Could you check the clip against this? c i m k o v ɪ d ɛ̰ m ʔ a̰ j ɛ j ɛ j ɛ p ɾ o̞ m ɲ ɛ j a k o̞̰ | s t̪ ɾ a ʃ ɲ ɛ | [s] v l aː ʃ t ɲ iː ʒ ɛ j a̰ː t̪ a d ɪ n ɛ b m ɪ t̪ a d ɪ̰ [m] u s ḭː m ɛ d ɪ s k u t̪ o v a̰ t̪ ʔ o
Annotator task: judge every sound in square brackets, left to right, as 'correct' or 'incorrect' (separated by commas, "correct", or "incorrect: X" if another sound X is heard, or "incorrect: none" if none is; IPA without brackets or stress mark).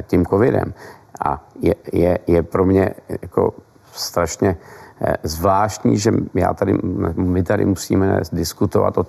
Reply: incorrect: z, correct